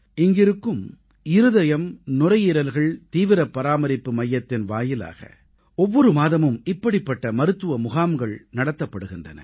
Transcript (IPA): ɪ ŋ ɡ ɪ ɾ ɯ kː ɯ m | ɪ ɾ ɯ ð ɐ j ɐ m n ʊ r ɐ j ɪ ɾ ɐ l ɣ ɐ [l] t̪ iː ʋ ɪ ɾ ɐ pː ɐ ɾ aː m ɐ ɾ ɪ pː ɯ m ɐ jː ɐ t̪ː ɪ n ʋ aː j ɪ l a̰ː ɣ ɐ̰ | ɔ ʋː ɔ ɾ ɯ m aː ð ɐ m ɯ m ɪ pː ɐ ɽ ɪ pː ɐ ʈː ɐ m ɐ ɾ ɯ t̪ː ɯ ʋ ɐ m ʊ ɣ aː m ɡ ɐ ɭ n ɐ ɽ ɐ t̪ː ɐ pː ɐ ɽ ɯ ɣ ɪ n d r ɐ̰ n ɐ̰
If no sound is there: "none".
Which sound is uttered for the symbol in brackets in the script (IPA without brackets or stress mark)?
ɭ